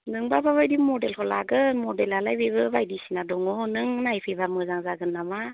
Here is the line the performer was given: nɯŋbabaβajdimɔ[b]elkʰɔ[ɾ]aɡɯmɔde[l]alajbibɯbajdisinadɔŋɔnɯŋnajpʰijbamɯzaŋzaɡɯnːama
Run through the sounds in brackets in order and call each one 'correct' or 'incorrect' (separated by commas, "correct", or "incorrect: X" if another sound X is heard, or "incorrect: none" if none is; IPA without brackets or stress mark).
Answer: incorrect: d, incorrect: l, correct